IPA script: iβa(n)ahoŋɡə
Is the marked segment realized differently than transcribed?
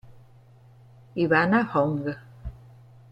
no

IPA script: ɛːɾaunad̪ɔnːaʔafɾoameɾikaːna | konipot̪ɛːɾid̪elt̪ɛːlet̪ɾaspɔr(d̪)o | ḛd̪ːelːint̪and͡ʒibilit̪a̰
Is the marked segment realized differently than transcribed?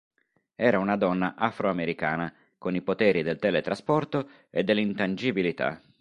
yes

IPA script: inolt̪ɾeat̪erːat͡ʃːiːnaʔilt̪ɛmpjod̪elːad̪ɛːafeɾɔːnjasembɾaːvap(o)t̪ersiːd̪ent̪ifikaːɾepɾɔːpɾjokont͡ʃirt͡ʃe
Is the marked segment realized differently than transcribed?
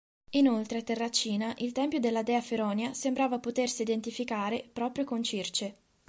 no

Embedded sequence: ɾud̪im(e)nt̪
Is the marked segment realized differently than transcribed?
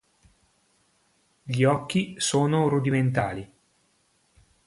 no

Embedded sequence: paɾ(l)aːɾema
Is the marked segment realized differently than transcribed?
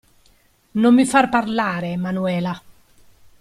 no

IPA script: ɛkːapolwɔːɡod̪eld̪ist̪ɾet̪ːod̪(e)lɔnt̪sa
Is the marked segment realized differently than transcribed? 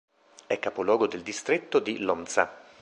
yes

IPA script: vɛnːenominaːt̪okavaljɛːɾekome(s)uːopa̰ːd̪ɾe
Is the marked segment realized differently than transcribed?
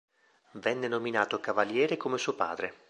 no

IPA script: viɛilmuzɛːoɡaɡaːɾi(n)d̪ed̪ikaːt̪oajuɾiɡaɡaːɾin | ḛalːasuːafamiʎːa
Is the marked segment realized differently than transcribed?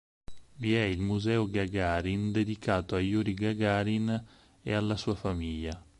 no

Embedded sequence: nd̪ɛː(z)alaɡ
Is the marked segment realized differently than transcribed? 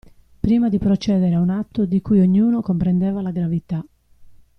yes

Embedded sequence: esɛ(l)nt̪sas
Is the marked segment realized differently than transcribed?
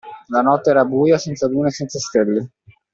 yes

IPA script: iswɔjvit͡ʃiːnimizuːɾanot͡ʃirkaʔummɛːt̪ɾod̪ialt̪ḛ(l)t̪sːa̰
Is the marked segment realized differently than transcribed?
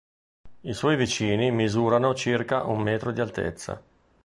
yes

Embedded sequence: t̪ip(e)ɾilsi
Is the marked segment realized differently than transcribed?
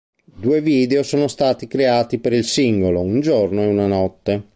no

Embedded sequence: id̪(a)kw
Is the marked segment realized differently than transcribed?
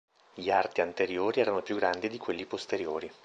yes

